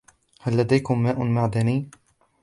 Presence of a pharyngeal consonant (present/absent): present